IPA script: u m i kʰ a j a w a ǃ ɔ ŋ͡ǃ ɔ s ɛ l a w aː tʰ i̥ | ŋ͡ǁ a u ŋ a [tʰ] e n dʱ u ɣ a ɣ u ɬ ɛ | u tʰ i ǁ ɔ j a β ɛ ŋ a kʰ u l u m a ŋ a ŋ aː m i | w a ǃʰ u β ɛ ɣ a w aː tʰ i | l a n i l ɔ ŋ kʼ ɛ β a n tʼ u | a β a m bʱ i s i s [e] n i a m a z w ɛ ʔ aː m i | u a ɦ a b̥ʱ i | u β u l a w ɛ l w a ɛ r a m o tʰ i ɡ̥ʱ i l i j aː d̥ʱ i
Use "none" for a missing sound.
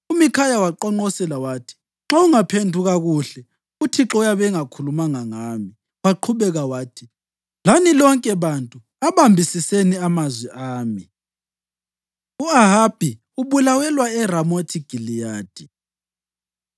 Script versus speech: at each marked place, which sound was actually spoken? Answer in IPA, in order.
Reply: pʰ, e

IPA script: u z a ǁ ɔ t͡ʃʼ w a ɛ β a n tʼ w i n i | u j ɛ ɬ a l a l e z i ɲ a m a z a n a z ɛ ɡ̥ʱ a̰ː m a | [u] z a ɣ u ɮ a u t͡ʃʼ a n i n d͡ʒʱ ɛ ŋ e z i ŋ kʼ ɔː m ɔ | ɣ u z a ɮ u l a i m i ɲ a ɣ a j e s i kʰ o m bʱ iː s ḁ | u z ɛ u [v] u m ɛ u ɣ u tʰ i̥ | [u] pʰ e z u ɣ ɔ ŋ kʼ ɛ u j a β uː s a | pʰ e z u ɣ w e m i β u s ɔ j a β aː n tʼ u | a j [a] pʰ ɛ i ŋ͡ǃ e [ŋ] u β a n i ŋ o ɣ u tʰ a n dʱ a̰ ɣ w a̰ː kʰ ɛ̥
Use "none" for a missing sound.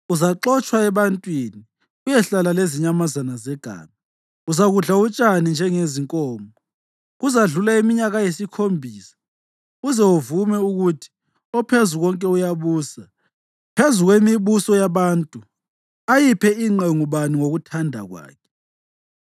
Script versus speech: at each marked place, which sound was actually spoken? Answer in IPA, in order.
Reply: u, v, ɔ, i, ŋ

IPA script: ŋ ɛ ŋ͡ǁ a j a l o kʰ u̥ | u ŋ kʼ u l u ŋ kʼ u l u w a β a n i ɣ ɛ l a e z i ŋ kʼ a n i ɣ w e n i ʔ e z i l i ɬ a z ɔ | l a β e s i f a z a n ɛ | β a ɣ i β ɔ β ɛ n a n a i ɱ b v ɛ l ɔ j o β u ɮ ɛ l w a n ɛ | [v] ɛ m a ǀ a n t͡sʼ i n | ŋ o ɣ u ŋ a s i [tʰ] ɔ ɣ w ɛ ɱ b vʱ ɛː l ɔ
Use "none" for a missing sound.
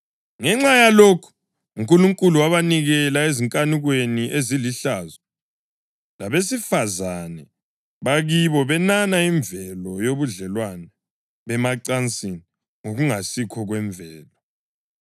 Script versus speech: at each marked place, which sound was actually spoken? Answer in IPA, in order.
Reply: β, kʰ

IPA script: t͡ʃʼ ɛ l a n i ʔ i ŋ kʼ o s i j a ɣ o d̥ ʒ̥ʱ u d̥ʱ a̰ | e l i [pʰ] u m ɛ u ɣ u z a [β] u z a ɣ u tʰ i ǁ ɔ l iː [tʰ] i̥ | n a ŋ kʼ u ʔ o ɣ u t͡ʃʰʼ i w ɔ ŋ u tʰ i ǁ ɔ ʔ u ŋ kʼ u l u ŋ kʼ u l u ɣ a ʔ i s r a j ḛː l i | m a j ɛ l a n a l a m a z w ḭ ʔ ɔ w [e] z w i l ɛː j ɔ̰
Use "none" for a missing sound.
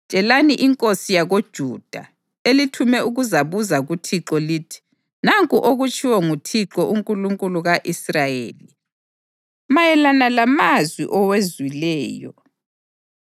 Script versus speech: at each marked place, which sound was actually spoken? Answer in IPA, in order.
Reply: tʰ, β, tʰ, e

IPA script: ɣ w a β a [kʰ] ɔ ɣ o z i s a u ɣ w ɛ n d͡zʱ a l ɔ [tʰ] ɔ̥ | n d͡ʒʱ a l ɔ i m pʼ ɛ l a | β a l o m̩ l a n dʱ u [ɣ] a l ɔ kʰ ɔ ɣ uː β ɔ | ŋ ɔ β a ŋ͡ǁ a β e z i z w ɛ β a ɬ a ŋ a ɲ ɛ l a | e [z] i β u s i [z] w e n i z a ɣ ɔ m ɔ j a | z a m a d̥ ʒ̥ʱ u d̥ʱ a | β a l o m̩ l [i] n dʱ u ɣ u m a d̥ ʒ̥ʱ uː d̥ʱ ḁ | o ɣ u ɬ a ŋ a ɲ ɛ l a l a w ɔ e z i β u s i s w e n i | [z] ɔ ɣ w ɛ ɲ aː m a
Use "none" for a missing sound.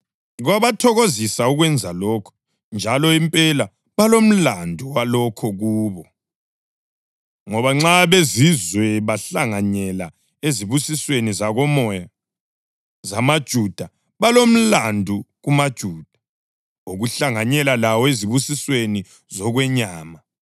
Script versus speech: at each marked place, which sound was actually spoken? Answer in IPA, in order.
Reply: tʰ, kʰ, w, z, s, a, z

